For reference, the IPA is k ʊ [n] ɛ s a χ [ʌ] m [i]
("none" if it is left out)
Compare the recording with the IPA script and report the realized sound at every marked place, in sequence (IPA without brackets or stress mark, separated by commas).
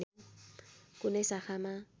n, a, a